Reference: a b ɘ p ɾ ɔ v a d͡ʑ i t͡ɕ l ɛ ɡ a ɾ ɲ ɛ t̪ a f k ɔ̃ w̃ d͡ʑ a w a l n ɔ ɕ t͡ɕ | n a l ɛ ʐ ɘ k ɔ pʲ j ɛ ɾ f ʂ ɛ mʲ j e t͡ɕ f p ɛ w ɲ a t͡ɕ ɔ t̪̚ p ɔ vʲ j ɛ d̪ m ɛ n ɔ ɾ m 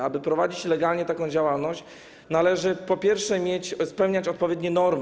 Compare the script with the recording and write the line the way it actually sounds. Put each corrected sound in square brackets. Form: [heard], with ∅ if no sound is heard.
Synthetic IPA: a b ɘ p ɾ ɔ v a d͡ʑ i t͡ɕ l ɛ ɡ a [l] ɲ ɛ t̪ a [∅] k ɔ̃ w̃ d͡ʑ a w a l n ɔ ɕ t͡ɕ | n a l ɛ ʐ ɘ [p] ɔ pʲ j ɛ ɾ f ʂ ɛ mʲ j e t͡ɕ [s] p ɛ w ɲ a t͡ɕ ɔ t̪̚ p ɔ vʲ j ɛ d̪ [ɲ] ɛ n ɔ ɾ m